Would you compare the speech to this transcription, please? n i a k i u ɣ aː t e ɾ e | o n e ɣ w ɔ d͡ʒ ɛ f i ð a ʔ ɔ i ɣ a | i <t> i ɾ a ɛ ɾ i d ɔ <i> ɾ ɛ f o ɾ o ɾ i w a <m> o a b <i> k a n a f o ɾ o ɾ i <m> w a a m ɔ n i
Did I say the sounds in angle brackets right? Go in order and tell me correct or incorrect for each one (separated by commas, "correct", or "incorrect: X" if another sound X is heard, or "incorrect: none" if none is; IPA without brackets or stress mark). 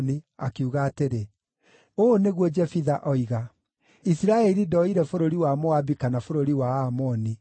incorrect: s, correct, correct, correct, incorrect: none